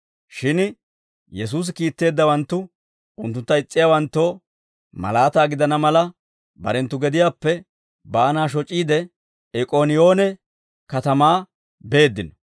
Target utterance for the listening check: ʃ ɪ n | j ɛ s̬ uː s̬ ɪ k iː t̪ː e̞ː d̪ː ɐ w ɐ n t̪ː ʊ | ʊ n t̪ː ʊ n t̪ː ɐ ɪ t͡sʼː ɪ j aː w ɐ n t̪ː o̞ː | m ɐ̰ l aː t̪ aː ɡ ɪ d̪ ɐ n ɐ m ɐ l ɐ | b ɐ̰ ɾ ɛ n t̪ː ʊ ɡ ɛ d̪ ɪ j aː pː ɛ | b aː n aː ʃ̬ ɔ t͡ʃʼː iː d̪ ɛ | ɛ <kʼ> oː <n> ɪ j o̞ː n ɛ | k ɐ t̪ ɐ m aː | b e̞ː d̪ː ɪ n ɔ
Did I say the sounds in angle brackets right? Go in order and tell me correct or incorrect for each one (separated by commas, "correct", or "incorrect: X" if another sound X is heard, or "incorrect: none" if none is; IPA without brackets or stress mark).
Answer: correct, correct